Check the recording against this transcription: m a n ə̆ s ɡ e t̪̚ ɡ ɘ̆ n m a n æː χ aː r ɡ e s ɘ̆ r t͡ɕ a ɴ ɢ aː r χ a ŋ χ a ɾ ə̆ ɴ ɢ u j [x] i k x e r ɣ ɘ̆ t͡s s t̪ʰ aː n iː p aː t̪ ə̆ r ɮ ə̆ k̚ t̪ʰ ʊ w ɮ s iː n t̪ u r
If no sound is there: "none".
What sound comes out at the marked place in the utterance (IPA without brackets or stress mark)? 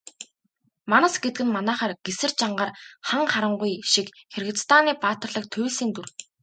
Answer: ʃ